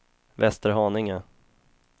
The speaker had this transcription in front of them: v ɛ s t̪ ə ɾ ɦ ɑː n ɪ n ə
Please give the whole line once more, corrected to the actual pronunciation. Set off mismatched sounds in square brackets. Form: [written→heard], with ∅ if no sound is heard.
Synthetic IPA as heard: v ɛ s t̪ ə ɾ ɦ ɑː n ɪ [n→ŋ] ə

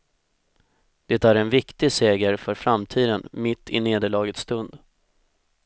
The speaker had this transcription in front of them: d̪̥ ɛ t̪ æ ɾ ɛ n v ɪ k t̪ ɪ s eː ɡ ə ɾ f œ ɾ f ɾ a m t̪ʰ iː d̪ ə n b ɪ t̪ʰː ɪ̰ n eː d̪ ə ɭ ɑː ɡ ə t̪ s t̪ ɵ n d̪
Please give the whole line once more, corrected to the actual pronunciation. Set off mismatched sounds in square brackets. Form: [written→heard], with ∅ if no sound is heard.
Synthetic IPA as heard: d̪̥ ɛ t̪ æ ɾ ɛ n v ɪ k t̪ ɪ s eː ɡ ə ɾ f œ ɾ f ɾ a m t̪ʰ iː d̪ ə n [b→m] ɪ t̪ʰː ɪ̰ n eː d̪ ə ɭ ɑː ɡ ə t̪ s t̪ ɵ n d̪

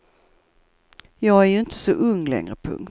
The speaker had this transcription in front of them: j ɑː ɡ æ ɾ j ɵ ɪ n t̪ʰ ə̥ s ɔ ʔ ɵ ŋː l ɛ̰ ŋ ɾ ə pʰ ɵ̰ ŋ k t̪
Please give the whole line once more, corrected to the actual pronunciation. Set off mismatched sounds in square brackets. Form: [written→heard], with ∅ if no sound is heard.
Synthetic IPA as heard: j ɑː ɡ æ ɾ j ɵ ɪ n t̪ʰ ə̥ s ɔ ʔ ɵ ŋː l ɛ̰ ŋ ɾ ə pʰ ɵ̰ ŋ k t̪

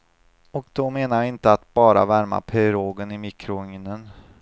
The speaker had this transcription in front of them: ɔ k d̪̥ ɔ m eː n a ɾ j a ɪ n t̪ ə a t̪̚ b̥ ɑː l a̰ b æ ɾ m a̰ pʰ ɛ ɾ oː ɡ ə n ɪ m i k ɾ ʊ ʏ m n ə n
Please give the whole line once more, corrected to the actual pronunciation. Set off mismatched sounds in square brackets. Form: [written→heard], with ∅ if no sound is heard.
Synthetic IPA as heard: ɔ k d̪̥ ɔ m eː n a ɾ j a ɪ n t̪ ə a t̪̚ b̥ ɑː [l→ɾ] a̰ [b→v] æ ɾ m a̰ pʰ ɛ ɾ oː ɡ ə n ɪ m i k ɾ ʊ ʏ [m→ŋ] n ə n

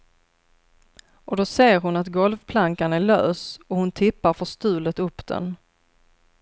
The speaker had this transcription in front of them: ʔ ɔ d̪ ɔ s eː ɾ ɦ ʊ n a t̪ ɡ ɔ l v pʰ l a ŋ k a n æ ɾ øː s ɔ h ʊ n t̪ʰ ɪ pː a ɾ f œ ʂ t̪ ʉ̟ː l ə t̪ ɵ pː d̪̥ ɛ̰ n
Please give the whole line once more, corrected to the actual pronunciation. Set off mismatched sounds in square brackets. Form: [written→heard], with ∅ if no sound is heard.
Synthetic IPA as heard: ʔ ɔ d̪ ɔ s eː ɾ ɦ ʊ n a t̪ ɡ ɔ l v pʰ l a ŋ k a n æ [ɾ→ɭ] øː s ɔ h ʊ n t̪ʰ ɪ pː a ɾ f œ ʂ t̪ ʉ̟ː l ə t̪ ɵ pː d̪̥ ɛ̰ n

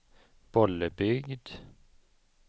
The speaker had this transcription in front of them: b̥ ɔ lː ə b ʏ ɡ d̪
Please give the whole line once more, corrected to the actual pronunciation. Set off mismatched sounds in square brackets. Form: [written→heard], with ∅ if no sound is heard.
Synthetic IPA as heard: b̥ ɔ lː ə b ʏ ɡ d̪

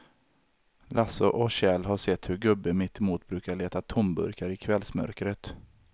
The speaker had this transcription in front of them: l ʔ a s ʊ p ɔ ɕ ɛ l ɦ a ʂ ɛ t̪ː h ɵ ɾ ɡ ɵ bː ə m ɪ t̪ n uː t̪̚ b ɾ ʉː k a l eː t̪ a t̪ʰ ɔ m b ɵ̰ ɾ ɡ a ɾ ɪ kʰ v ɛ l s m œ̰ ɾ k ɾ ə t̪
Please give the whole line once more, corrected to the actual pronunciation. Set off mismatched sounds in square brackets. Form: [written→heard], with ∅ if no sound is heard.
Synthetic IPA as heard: l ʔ a s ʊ [p→ʔ] ɔ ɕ ɛ l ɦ a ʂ ɛ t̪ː h ɵ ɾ ɡ ɵ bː ə m ɪ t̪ [n→m] uː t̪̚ b ɾ ʉː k a [l→ɭ] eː t̪ a t̪ʰ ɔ m b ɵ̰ ɾ [ɡ→k] a ɾ ɪ kʰ v ɛ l s m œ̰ ɾ k ɾ ə t̪

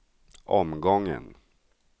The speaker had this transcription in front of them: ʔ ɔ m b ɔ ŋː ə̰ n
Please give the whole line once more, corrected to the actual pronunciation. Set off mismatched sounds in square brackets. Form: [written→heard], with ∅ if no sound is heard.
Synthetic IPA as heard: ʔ ɔ m [b→ɡ] ɔ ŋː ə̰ n

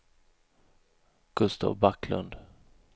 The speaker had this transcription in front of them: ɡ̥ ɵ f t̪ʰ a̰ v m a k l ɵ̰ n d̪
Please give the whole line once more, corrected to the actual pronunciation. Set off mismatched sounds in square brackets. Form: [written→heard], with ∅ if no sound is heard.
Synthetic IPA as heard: ɡ̥ ɵ [f→s] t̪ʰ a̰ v [m→b] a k l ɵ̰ n d̪

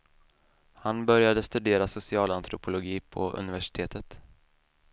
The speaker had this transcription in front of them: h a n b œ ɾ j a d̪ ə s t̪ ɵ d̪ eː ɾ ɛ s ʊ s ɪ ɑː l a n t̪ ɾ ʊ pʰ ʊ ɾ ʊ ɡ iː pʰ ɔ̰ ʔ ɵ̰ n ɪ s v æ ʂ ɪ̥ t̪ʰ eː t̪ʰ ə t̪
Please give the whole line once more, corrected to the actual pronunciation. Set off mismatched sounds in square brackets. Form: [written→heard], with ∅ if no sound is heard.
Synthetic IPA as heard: h a n b œ ɾ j a d̪ ə s t̪ ɵ d̪ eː ɾ [ɛ→a] s ʊ s ɪ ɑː l a n t̪ ɾ ʊ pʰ ʊ [ɾ→l] ʊ ɡ iː pʰ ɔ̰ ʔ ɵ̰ n ɪ [s→∅] v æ ʂ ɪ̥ t̪ʰ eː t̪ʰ ə t̪

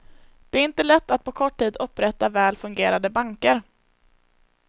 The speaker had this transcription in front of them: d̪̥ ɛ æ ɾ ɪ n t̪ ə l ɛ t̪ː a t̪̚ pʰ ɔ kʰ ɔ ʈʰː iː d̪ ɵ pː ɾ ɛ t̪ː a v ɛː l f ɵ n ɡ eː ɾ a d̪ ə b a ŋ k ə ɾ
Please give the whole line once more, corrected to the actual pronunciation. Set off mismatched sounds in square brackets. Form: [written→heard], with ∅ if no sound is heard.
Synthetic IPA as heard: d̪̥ ɛ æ ɾ ɪ n t̪ ə l ɛ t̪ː a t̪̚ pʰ ɔ kʰ ɔ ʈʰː iː d̪ ɵ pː ɾ ɛ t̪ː a v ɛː l f ɵ [n→ŋ] ɡ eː ɾ a d̪ ə b a ŋ k ə ɾ

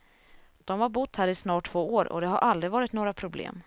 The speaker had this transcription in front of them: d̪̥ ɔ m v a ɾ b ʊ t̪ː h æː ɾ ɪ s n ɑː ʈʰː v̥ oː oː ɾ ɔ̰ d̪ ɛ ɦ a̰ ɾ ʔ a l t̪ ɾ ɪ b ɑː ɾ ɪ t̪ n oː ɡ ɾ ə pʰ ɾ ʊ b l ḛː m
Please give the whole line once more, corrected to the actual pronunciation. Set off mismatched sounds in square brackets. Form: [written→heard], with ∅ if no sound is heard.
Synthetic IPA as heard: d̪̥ ɔ m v a ɾ b ʊ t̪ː h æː ɾ ɪ s n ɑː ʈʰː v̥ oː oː ɾ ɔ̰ d̪ ɛ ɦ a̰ ɾ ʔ a l [t̪→d̪] ɾ ɪ [b→v] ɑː ɾ ɪ t̪ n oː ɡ ɾ [ə→a] pʰ ɾ ʊ b l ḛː m

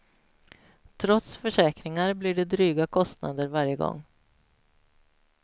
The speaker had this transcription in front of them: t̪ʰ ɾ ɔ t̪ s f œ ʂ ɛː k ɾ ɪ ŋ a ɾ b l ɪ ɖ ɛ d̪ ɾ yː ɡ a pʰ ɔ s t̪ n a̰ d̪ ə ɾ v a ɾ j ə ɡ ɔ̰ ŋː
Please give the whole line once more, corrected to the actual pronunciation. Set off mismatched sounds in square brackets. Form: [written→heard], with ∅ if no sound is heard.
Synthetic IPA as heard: t̪ʰ ɾ ɔ t̪ s f œ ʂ ɛː k ɾ ɪ ŋ a ɾ b l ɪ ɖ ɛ d̪ ɾ yː ɡ a [pʰ→kʰ] ɔ s t̪ n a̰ d̪ ə ɾ v a ɾ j ə ɡ ɔ̰ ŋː

